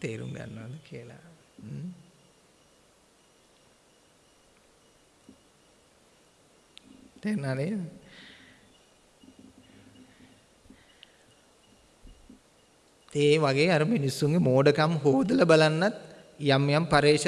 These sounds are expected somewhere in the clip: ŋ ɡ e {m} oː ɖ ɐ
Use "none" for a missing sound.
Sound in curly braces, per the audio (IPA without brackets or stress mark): m